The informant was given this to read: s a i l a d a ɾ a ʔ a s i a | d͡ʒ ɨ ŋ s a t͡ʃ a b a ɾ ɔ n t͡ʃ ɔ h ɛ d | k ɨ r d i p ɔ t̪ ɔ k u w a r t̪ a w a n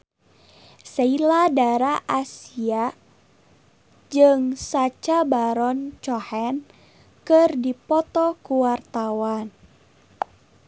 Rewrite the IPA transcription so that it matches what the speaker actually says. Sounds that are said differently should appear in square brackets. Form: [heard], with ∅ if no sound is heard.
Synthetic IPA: s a i l a d a ɾ a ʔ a s i a | d͡ʒ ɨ ŋ s a t͡ʃ a b a ɾ ɔ n t͡ʃ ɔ h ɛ [n] | k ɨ r d i p ɔ t̪ ɔ k u w a r t̪ a w a n